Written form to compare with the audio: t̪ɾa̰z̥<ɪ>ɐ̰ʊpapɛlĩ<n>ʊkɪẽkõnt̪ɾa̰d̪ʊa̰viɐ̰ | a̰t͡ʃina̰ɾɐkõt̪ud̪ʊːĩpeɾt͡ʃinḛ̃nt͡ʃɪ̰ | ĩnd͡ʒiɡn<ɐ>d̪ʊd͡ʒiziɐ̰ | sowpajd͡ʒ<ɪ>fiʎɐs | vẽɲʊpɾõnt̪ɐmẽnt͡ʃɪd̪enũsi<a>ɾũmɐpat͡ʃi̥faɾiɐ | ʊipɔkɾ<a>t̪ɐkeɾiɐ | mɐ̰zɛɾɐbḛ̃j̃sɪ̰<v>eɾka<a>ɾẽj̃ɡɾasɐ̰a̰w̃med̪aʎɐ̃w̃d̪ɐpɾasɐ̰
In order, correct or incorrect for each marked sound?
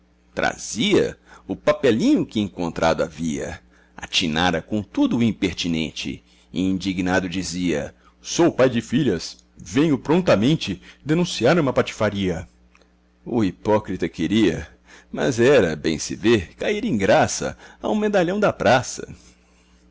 incorrect: i, incorrect: ɲ, incorrect: a, correct, correct, incorrect: i, correct, incorrect: i

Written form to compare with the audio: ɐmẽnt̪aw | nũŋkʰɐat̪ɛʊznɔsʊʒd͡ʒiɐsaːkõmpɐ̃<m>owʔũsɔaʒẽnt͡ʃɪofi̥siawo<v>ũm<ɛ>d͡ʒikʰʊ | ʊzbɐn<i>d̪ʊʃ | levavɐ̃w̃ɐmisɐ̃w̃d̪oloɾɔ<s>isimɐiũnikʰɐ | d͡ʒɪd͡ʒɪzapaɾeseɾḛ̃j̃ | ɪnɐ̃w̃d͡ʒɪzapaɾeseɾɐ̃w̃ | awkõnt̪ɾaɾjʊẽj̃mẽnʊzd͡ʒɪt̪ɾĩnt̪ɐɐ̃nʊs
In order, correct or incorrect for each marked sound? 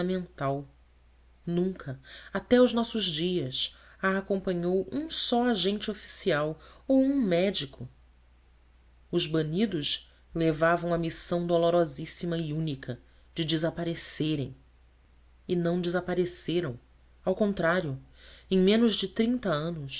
incorrect: ɲ, incorrect: w, correct, correct, incorrect: z

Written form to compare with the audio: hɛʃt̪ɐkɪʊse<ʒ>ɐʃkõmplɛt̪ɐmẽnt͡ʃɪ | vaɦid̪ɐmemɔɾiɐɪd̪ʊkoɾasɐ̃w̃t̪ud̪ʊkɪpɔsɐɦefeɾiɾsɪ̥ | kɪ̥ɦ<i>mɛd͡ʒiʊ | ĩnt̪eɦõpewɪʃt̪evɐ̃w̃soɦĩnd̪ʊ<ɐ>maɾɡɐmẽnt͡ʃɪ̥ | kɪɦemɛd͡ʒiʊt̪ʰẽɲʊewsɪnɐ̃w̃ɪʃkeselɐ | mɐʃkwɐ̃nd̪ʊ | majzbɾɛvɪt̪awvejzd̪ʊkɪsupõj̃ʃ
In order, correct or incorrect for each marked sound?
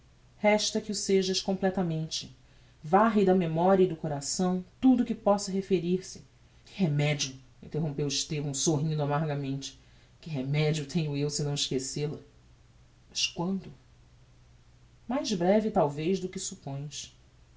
correct, incorrect: e, incorrect: a

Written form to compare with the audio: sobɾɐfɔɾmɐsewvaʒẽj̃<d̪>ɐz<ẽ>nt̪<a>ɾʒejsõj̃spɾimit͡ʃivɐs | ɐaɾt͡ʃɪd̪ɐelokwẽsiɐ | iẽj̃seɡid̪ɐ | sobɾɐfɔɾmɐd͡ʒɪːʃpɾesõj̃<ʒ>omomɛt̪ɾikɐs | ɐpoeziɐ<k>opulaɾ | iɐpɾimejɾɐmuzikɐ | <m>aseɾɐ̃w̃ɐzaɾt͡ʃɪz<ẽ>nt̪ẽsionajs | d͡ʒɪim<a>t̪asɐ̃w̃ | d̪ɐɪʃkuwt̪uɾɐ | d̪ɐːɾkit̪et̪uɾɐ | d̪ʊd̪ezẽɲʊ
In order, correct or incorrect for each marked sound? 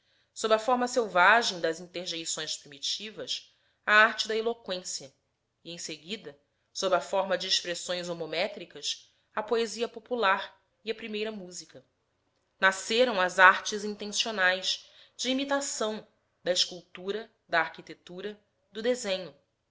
correct, incorrect: ĩ, incorrect: e, incorrect: z, incorrect: p, incorrect: n, incorrect: ĩ, incorrect: i

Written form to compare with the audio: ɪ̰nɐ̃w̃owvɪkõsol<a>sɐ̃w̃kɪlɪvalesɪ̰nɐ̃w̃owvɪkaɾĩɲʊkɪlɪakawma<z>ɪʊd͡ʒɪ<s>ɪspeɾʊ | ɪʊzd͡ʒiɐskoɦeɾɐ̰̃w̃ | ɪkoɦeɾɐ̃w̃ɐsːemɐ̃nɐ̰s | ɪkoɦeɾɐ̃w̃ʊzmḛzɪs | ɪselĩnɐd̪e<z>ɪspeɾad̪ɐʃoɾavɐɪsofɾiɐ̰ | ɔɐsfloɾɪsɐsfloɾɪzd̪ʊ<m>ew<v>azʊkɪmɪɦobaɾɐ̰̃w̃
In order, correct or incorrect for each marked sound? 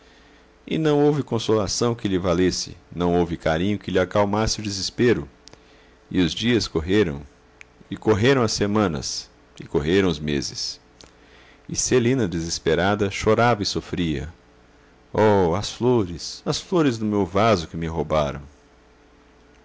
correct, incorrect: s, incorrect: z, correct, correct, correct

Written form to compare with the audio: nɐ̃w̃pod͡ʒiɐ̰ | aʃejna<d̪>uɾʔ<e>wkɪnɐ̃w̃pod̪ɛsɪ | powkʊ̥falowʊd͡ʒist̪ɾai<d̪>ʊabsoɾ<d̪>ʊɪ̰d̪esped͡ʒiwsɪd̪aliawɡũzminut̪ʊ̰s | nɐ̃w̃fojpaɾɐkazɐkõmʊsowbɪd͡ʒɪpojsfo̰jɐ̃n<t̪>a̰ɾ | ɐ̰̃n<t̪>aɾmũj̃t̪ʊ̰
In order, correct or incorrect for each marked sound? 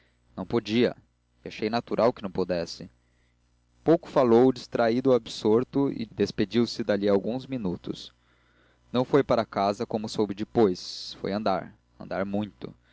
incorrect: t̪, incorrect: a, correct, incorrect: t̪, incorrect: d̪, incorrect: d̪

